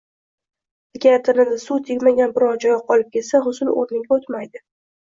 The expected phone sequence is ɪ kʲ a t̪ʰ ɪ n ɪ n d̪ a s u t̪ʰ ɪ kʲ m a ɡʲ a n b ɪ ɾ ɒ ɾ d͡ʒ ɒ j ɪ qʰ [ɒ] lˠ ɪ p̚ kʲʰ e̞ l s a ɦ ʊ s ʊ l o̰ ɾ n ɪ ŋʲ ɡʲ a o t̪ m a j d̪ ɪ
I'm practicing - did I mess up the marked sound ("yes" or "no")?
no